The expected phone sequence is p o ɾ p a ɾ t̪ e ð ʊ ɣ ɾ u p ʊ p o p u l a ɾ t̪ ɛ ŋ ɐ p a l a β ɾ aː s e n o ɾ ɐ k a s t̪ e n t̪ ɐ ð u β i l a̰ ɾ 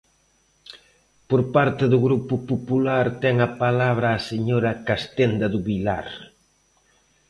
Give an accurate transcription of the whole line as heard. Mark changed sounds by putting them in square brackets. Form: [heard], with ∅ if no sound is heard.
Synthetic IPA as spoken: p o ɾ p a ɾ t̪ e ð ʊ ɣ ɾ u p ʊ p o p u l a ɾ t̪ ɛ ŋ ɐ p a l a β ɾ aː s e [ɲ] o ɾ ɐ k a s t̪ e n [d̪] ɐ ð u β i l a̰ ɾ